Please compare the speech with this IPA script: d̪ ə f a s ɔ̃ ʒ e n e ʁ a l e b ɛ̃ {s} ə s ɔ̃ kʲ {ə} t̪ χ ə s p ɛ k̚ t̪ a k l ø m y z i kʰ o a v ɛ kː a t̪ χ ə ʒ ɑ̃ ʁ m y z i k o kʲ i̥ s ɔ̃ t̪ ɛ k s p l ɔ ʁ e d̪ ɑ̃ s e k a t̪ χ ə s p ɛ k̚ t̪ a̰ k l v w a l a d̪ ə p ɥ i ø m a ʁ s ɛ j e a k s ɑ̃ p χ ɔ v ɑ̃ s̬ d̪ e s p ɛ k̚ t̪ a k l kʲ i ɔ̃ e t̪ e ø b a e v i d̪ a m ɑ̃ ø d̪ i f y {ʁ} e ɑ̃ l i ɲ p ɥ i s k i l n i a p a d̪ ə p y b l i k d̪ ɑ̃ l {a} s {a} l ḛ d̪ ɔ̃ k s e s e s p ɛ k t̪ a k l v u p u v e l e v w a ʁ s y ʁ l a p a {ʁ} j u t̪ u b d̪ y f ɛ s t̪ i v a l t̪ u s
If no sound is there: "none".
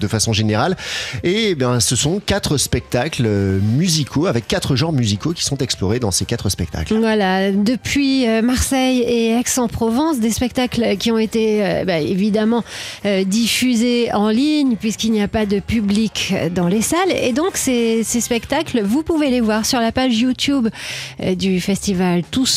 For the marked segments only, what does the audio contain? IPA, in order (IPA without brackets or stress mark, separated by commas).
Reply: s, a, z, e, a, ʒ